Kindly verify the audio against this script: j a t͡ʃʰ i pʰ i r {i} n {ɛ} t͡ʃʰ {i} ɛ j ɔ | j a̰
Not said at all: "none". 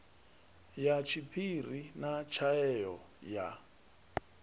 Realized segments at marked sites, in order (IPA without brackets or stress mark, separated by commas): i, a, a